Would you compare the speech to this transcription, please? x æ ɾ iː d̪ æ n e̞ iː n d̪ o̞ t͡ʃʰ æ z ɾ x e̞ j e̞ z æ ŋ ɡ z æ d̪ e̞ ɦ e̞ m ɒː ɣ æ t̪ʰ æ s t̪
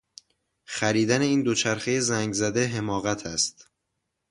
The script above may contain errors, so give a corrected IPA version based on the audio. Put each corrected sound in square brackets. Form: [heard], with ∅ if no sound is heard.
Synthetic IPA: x æ ɾ iː d̪ æ n e̞ iː n d̪ o̞ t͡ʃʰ æ [∅] ɾ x e̞ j e̞ z æ ŋ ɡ z æ d̪ e̞ ɦ e̞ m ɒː ɣ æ t̪ʰ æ s t̪